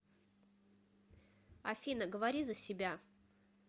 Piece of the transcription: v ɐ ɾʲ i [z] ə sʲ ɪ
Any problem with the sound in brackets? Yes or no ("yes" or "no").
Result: no